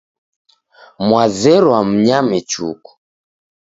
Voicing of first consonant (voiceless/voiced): voiced